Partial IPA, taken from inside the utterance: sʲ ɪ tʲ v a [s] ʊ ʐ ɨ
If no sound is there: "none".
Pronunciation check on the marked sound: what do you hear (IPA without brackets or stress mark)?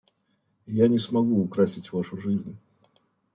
ʂ